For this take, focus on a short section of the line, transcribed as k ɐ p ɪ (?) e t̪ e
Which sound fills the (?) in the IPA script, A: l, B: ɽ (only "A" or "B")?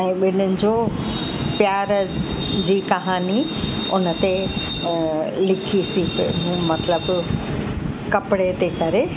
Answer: B